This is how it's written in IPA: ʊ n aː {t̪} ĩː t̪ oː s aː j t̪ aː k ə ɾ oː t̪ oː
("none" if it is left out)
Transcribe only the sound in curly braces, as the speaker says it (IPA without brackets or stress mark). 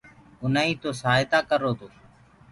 none